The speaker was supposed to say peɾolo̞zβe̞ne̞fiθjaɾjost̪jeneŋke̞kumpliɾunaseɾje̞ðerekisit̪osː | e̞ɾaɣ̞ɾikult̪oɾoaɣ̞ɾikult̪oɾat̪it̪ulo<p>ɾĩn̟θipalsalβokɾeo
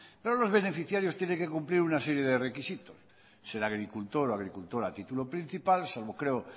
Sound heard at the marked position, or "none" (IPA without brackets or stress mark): p